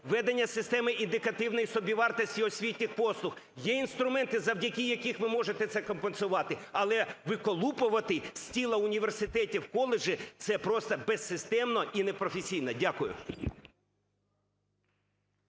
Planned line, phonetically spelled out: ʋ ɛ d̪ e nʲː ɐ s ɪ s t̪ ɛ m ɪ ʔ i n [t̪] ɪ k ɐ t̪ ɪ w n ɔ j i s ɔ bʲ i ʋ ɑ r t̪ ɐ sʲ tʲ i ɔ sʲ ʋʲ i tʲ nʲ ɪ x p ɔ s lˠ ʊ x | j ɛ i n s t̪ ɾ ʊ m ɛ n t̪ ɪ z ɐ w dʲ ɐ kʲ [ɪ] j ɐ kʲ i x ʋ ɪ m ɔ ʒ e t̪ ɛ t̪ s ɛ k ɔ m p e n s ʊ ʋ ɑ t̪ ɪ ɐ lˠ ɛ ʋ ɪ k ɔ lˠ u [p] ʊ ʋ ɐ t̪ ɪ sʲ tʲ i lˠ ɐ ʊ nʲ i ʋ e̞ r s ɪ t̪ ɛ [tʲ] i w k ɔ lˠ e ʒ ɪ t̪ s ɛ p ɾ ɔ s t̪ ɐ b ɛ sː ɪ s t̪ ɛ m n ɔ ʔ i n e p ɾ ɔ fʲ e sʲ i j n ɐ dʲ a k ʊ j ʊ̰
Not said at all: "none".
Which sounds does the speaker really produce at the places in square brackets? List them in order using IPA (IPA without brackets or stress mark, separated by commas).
d̪, i, p, tʲ